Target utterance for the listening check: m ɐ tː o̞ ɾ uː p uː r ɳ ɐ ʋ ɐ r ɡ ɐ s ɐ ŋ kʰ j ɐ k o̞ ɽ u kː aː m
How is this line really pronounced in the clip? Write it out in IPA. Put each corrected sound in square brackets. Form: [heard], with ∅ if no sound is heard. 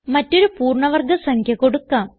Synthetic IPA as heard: m ɐ tː o̞ ɾ [u] p uː r ɳ ɐ ʋ ɐ r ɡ ɐ s ɐ ŋ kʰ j ɐ k o̞ ɽ u kː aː m

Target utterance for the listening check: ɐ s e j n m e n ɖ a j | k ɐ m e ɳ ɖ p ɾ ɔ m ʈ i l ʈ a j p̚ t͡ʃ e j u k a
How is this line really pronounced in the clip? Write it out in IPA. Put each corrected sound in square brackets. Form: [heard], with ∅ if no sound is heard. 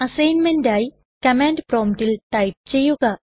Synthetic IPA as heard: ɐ s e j n m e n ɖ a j | k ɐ m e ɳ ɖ p ɾ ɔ m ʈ i l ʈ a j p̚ t͡ʃ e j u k a

